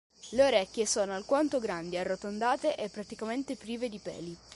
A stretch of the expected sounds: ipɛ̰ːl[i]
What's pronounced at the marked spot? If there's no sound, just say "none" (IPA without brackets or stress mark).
i